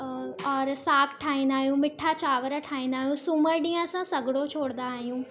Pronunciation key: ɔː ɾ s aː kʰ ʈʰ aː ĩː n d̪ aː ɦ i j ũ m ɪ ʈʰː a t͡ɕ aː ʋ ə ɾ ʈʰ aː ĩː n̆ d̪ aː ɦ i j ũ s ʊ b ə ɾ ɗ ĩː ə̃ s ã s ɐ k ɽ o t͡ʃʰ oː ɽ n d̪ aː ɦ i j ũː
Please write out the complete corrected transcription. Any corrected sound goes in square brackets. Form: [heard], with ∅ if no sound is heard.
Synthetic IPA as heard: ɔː ɾ s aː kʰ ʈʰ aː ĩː n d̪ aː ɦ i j ũ m ɪ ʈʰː a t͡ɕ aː ʋ ə ɾ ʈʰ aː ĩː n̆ d̪ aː ɦ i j ũ s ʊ [m] ə ɾ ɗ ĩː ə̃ s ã s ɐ [ɡ] ɽ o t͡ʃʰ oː ɽ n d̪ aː ɦ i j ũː